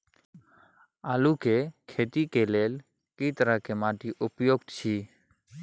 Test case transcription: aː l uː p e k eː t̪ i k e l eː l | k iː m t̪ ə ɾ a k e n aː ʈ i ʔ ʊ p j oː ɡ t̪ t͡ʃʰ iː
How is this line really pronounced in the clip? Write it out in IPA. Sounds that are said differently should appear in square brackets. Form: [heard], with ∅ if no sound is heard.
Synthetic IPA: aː l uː [k] e [kʰ] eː t̪ i k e l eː l | k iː [∅] t̪ ə ɾ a k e [m] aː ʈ i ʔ ʊ p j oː ɡ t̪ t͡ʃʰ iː